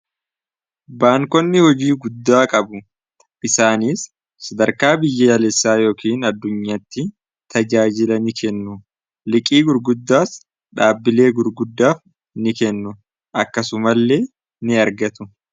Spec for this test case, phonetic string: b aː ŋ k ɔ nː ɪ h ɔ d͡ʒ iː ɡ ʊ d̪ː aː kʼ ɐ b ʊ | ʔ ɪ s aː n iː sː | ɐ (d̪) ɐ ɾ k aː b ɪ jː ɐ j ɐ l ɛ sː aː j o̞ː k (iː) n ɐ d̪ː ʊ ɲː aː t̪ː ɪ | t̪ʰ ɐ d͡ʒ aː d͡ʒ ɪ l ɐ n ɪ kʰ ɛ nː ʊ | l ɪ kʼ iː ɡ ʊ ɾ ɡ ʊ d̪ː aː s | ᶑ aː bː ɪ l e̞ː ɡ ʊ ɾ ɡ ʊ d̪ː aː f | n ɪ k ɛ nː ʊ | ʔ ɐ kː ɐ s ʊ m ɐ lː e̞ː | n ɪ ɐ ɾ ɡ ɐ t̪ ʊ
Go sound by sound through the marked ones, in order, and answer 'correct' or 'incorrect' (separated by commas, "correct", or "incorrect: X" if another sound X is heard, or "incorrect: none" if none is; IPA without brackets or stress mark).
correct, correct